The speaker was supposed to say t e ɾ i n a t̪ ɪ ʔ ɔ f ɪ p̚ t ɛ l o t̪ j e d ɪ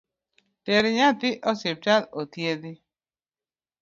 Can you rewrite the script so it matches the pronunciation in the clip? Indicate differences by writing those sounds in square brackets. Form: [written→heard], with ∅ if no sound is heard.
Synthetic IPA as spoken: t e ɾ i [n→ɲ] a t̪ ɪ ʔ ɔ [f→s] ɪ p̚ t [ɛ→a] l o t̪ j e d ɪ